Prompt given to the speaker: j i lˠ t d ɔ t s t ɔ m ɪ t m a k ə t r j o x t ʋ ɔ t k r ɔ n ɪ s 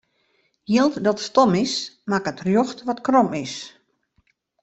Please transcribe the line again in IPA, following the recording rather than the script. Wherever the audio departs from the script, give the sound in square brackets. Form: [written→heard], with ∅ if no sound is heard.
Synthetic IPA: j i lˠ t d ɔ t s t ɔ m ɪ [t→s] m a k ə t r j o x t ʋ ɔ t k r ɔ [n→m] ɪ s